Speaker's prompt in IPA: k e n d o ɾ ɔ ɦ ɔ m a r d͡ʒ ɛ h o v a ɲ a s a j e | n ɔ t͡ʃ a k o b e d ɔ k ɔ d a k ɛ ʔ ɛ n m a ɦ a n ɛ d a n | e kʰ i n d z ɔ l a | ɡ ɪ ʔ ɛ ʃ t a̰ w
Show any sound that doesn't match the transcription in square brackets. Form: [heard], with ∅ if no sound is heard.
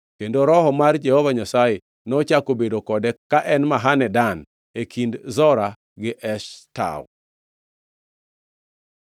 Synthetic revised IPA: k e n d o ɾ ɔ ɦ ɔ m a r d͡ʒ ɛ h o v a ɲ a s a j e | n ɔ t͡ʃ a k o b e d [o] k ɔ d [ɛ] k [a] ʔ ɛ n m a ɦ a n ɛ d a n | e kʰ i n d z ɔ [ɾ] a | ɡ ɪ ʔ ɛ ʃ t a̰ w